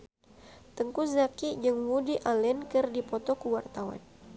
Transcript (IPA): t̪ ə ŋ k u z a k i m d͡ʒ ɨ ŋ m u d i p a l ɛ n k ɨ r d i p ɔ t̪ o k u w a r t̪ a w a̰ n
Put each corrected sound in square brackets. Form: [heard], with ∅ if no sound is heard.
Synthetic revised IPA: t̪ ə ŋ k u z a k i [∅] d͡ʒ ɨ ŋ m u d i [ʔ] a l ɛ n k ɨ r d i p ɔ t̪ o k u w a r t̪ a w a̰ n